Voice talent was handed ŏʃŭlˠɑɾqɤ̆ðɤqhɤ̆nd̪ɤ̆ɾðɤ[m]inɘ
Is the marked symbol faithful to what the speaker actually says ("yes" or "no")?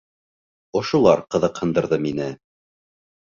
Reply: yes